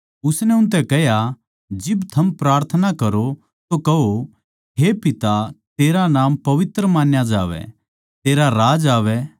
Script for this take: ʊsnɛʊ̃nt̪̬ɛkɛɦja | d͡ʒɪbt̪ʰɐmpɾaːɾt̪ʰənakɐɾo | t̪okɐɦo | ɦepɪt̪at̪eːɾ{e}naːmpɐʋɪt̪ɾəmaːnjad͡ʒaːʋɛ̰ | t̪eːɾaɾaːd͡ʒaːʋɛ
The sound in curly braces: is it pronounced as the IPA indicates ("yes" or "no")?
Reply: no